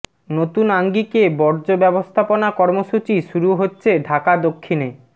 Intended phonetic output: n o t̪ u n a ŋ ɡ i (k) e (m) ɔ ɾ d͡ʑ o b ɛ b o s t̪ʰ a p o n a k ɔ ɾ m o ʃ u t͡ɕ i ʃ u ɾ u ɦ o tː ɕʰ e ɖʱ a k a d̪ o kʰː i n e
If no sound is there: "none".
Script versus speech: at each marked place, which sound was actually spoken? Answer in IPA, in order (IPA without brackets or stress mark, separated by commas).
k, b